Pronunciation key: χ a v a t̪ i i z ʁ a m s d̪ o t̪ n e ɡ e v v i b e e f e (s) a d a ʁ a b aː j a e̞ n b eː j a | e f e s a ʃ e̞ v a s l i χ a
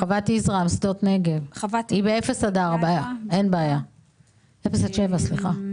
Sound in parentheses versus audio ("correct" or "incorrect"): correct